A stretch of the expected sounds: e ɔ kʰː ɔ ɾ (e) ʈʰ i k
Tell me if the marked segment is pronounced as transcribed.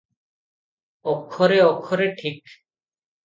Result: yes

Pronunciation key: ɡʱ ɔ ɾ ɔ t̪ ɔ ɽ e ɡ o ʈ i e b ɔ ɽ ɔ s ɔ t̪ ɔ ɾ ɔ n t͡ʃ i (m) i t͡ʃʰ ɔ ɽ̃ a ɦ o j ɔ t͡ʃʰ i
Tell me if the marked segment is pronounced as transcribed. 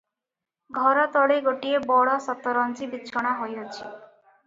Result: no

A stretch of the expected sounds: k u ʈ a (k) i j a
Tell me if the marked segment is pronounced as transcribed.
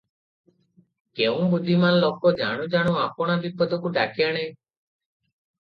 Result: yes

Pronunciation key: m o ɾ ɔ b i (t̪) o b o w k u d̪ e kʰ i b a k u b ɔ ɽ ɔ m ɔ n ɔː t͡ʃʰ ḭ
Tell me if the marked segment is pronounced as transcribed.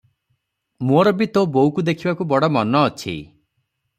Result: yes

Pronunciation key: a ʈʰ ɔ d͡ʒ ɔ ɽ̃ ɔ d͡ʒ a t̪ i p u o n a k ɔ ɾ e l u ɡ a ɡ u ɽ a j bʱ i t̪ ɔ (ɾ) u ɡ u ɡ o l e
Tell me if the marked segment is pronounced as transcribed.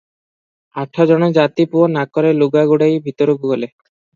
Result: yes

